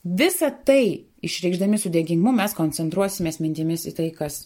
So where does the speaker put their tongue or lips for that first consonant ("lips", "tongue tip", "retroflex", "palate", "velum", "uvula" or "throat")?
lips